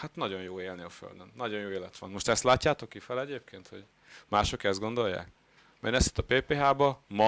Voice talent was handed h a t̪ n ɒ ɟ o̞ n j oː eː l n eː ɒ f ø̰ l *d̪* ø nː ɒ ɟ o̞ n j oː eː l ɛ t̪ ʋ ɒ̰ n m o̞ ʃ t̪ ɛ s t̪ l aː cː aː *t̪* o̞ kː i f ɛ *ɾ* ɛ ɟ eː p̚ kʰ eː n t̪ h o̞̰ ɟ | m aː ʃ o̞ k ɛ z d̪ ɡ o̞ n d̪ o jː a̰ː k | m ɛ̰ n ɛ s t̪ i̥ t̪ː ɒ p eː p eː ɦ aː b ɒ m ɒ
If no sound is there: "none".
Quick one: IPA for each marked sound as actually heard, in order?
d̪, t̪, l

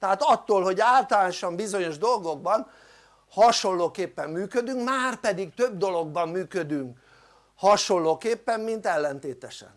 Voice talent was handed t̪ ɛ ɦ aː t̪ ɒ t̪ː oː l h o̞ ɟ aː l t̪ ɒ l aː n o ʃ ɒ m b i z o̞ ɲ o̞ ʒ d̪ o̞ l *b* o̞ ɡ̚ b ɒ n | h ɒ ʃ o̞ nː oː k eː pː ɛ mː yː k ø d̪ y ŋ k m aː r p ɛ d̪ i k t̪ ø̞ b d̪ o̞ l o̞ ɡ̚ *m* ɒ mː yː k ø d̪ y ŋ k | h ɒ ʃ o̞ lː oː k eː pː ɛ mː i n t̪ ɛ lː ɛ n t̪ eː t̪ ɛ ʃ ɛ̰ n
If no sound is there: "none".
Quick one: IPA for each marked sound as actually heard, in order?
ɡ, b

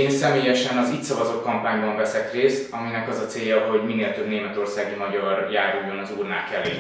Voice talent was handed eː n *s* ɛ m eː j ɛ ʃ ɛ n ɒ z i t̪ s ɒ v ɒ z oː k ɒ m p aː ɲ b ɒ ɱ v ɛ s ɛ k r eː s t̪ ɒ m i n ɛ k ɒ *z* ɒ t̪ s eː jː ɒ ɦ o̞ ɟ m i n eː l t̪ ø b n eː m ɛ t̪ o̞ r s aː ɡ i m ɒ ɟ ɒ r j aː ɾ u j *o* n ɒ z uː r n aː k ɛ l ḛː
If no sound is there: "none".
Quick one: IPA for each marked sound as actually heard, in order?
s, z, o

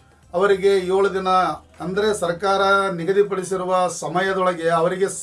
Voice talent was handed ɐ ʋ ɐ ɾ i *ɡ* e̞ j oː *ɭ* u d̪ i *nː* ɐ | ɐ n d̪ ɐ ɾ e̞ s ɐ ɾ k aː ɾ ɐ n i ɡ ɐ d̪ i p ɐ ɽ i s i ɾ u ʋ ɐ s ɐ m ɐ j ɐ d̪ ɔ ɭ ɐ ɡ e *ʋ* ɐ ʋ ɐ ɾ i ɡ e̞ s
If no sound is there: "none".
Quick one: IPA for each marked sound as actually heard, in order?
ɡ, ɭ, n, none

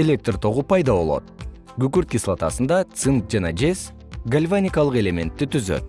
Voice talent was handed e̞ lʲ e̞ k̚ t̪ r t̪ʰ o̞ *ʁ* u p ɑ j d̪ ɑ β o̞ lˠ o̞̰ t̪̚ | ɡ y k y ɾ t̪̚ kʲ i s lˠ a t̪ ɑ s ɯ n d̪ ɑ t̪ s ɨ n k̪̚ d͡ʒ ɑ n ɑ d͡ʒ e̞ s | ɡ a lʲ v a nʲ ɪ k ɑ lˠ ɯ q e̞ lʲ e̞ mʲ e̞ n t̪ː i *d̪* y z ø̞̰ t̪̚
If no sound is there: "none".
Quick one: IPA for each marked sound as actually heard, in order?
ʁ, t̪

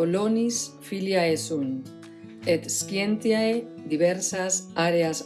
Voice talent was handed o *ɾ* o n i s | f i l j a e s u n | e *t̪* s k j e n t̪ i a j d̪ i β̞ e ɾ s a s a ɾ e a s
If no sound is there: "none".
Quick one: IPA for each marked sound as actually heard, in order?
l, t̪

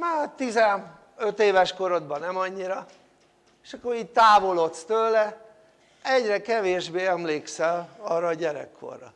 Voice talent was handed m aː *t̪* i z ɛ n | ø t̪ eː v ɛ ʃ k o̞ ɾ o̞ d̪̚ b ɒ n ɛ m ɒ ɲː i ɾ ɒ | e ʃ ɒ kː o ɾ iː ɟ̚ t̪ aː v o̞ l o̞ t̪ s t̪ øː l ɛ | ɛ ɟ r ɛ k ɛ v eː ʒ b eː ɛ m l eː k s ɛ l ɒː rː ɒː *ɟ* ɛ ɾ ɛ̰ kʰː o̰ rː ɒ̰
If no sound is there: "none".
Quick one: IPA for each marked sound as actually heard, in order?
t̪, ɟ

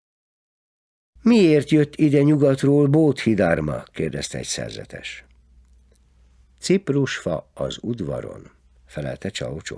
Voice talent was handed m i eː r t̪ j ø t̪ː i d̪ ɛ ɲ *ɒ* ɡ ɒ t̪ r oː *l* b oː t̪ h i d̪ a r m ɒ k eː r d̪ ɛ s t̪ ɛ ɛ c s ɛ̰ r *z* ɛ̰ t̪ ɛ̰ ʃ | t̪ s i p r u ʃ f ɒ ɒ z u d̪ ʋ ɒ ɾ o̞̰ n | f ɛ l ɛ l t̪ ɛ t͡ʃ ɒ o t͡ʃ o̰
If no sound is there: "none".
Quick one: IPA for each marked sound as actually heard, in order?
u, l, z

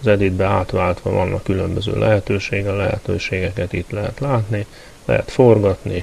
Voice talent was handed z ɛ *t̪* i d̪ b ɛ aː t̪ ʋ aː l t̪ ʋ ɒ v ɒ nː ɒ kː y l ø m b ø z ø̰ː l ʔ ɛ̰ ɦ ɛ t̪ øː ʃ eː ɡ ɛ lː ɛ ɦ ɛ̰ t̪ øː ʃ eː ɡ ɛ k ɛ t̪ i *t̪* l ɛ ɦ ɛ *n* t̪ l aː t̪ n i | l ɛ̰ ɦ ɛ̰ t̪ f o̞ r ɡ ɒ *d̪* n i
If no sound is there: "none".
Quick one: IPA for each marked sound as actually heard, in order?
d̪, t̪, none, t̪

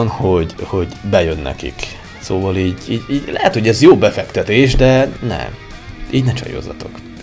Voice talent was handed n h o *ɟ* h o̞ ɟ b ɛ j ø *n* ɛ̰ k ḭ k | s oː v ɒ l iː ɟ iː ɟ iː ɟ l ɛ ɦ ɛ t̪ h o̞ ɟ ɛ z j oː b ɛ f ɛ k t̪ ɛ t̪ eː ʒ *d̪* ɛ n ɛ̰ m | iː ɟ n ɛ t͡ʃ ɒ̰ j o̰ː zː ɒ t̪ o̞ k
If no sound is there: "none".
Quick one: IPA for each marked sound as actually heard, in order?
ɟ, nː, d̪

